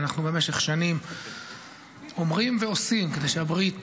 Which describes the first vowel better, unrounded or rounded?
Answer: unrounded